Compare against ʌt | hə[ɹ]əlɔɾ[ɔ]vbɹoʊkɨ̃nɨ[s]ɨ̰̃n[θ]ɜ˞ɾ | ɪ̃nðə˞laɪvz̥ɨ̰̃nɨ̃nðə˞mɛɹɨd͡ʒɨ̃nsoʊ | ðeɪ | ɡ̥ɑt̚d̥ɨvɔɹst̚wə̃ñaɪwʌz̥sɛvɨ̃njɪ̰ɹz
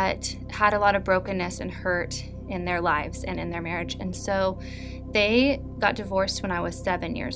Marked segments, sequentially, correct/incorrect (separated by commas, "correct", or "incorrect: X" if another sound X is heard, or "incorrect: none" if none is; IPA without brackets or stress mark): incorrect: ɾ, incorrect: ʌ, correct, incorrect: h